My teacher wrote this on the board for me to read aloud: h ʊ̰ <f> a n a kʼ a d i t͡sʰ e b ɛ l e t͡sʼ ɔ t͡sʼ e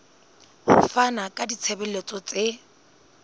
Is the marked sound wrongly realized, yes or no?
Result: no